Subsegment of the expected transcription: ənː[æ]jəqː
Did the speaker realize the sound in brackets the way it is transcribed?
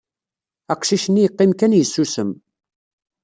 no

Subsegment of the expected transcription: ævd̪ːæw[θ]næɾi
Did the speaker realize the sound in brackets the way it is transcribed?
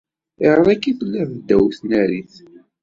yes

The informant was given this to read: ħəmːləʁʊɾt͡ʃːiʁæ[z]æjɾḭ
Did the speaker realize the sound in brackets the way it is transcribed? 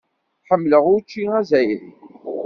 yes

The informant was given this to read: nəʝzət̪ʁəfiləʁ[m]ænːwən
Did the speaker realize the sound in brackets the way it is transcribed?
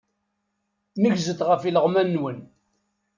yes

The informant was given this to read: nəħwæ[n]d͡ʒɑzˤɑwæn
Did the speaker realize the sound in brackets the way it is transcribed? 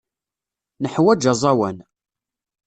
no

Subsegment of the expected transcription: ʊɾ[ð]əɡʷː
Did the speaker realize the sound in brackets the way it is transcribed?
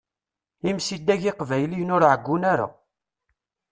no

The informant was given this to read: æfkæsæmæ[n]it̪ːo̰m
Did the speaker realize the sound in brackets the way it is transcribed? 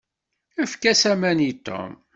yes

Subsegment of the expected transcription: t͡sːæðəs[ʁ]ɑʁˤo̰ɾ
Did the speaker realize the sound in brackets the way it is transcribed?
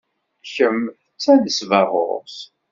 no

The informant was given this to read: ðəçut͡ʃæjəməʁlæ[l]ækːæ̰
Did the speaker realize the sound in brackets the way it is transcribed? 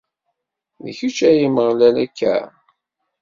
yes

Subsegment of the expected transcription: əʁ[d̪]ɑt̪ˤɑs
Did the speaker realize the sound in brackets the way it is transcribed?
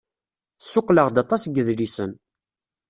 yes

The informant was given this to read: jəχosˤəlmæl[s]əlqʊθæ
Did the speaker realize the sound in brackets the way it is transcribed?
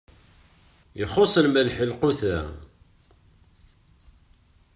no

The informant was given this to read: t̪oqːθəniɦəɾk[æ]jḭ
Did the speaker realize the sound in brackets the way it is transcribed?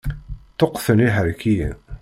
no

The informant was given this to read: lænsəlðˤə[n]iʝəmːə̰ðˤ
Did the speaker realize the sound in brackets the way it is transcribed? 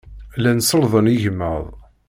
yes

